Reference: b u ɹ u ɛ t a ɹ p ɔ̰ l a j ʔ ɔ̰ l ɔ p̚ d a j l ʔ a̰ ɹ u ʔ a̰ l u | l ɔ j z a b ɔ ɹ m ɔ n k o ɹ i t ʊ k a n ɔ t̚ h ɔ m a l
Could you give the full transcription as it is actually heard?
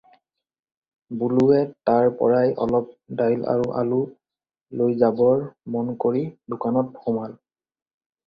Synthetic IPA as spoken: b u l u ɛ t a ɹ p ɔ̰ ɹ a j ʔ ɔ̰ l ɔ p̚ d a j l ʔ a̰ ɹ u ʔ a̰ l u | l o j z a b ɔ ɹ m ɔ n k o ɹ i d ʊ k a n ɔ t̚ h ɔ m a l